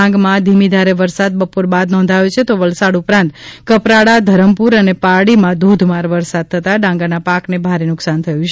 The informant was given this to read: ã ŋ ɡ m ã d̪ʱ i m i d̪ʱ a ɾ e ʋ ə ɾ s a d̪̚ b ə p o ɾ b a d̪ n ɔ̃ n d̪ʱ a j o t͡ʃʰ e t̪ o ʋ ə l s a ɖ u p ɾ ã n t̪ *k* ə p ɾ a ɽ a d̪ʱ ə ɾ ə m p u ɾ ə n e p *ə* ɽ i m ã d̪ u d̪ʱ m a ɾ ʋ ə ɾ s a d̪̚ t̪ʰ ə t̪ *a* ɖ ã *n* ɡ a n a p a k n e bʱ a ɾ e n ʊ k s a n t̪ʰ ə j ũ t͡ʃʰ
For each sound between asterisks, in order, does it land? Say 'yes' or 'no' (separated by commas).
yes, no, yes, no